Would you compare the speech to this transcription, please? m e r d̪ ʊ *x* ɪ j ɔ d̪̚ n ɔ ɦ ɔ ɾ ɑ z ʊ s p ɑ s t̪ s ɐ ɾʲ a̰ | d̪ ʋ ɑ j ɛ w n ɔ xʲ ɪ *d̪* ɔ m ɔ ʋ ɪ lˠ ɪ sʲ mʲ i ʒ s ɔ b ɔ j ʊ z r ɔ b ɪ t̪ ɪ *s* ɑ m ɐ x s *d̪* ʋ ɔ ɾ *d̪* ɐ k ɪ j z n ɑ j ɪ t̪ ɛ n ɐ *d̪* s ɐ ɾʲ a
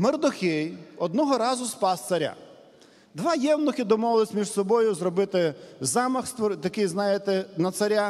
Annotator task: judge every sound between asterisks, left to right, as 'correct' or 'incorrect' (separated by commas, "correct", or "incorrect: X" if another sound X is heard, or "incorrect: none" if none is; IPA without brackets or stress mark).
correct, correct, incorrect: z, incorrect: t̪, incorrect: t̪, incorrect: t̪